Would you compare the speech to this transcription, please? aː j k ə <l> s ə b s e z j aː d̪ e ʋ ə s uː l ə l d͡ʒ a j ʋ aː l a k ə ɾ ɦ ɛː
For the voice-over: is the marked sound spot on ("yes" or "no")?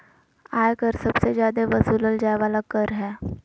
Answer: no